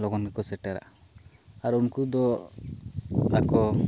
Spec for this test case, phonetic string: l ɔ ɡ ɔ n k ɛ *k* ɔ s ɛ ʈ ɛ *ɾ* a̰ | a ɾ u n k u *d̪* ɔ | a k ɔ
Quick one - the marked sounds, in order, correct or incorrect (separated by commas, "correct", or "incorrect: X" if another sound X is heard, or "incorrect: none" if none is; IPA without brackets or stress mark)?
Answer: correct, correct, correct